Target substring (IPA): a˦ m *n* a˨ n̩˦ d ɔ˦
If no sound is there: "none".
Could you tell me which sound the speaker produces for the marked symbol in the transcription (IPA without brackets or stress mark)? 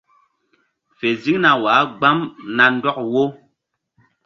n